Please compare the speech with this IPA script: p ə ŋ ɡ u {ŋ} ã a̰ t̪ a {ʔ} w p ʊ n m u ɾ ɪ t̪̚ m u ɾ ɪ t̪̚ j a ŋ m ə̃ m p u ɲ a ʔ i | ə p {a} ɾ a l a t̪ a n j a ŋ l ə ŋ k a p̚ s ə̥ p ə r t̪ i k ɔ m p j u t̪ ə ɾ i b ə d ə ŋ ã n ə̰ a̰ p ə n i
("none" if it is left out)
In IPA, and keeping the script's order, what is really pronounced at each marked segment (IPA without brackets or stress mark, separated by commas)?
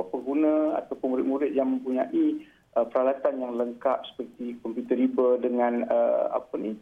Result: n, none, ə